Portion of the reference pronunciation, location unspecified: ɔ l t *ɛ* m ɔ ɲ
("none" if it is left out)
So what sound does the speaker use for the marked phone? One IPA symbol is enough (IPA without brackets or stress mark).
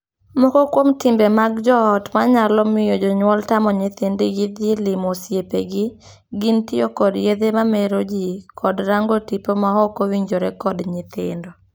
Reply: a